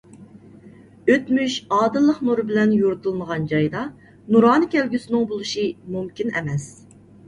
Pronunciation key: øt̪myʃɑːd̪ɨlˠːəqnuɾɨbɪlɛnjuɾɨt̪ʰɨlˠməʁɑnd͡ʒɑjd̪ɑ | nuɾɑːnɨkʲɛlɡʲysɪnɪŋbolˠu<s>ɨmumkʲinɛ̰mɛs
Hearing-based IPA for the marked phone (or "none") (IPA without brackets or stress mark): ʃ